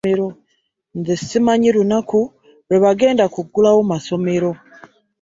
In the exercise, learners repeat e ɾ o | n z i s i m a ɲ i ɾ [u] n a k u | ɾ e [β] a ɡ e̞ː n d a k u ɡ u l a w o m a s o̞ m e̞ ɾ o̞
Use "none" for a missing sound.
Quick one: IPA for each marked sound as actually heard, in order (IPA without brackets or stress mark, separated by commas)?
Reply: u, β